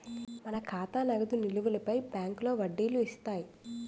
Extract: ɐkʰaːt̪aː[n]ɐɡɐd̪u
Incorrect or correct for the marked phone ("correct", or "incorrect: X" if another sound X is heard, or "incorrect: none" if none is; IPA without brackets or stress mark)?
correct